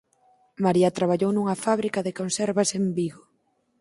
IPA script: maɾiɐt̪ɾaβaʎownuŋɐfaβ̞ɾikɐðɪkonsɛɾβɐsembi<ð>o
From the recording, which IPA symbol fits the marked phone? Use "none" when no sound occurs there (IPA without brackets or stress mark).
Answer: ɣ